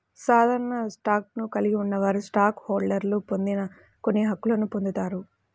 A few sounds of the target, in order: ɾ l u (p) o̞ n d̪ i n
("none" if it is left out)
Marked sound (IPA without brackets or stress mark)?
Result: p